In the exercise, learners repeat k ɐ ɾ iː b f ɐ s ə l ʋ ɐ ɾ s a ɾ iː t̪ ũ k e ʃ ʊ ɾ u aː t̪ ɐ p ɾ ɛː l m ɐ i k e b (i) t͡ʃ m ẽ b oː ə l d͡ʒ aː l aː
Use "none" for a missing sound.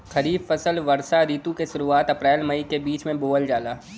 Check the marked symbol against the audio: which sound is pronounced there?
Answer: iː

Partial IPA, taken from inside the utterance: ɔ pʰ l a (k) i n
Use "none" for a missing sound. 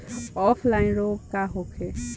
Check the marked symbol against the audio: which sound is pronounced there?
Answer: none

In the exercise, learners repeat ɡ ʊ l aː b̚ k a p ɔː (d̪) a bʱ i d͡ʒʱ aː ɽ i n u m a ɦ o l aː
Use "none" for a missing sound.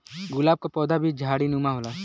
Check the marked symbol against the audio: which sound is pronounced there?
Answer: d̪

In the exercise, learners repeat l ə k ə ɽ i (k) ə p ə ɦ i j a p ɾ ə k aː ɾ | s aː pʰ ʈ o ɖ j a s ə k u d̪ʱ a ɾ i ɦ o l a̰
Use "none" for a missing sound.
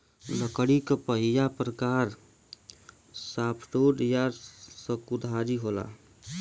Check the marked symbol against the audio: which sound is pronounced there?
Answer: k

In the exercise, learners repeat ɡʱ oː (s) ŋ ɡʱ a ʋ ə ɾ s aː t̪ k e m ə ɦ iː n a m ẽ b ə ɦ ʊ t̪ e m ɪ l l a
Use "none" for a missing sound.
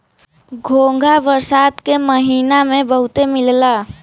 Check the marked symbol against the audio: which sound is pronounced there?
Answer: none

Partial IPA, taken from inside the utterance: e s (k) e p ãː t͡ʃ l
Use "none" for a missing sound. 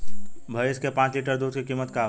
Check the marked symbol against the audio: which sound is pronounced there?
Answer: k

